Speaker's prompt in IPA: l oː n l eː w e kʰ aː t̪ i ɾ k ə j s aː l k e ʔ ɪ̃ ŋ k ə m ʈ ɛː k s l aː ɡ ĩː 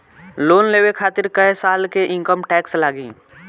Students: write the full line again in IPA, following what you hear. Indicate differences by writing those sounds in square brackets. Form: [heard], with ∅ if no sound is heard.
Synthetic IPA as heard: l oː n l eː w e kʰ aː t̪ [ɪ] ɾ k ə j s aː l k e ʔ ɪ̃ ŋ k ə m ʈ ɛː k s l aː ɡ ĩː